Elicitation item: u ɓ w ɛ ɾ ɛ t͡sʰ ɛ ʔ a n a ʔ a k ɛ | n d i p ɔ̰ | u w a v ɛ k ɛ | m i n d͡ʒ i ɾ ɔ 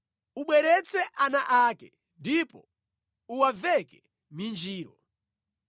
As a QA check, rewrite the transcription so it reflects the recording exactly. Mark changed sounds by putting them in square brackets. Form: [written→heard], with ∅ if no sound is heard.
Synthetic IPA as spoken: u ɓ w ɛ ɾ ɛ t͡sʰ ɛ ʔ a n a ʔ a k ɛ | n d i p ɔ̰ | u w a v ɛ k ɛ | m i n d͡ʒ [i→iː] ɾ ɔ